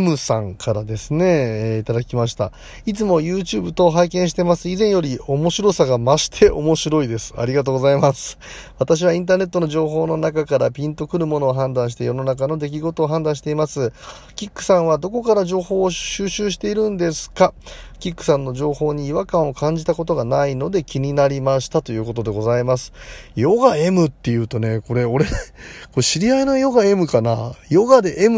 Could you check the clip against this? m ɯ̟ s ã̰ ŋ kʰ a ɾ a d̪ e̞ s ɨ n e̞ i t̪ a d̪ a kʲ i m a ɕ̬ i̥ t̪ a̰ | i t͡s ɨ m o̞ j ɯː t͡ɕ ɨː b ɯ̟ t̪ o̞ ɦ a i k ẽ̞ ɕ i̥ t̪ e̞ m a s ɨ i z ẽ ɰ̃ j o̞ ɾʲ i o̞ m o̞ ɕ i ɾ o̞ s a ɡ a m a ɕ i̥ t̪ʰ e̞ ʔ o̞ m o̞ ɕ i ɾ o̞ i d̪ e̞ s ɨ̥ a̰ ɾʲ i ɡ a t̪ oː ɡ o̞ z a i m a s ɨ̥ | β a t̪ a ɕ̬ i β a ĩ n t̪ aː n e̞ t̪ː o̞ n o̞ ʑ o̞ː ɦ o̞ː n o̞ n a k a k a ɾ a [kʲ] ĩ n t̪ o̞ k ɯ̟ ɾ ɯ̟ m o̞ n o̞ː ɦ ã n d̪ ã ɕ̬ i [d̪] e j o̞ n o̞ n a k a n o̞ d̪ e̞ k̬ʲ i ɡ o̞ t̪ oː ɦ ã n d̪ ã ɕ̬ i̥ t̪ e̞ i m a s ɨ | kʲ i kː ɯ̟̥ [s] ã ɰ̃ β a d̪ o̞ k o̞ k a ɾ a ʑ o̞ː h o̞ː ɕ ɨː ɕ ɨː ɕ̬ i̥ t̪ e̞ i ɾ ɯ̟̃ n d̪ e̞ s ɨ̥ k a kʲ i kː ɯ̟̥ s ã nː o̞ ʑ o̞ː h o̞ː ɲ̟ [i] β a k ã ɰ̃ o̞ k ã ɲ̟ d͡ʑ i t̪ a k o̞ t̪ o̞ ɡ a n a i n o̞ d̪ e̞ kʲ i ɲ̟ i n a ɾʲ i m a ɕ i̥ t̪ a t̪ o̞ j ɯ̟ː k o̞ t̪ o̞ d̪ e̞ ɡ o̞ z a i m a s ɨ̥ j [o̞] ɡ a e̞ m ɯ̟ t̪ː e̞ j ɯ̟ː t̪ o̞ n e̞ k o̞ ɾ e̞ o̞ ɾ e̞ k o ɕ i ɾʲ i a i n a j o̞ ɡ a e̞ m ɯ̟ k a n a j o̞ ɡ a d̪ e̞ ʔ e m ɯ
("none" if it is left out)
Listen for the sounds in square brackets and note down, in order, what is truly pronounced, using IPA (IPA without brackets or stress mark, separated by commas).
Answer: pʲ, t̪, s, iː, o̞